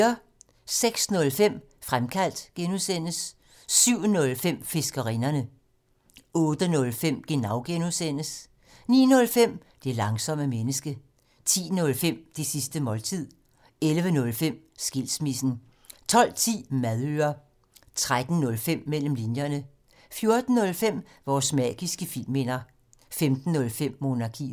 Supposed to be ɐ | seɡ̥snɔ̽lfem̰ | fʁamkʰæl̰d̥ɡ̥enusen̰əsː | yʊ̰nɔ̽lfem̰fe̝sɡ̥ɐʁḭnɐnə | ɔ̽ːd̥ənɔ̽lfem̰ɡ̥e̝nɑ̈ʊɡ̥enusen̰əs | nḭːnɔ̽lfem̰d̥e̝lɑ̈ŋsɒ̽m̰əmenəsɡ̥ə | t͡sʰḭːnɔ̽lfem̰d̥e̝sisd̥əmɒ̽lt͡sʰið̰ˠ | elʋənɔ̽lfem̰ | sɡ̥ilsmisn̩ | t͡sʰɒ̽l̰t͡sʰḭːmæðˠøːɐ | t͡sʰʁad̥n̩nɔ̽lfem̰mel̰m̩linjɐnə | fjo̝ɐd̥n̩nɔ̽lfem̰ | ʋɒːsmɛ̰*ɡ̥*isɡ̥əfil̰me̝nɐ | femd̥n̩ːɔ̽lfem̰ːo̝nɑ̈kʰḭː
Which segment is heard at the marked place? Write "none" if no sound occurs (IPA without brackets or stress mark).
ɡ̥